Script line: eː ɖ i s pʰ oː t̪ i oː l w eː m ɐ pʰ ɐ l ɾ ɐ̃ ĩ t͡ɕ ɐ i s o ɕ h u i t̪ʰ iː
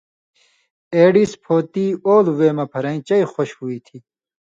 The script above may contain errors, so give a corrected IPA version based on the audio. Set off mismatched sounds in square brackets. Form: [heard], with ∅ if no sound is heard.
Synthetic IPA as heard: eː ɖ i s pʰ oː t̪ i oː l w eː m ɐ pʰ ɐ [∅] ɾ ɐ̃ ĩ t͡ɕ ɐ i [x] o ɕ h u i t̪ʰ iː